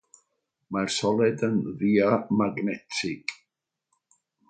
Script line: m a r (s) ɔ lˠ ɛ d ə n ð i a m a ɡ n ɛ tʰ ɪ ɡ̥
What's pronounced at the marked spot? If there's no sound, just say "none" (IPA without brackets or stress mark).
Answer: s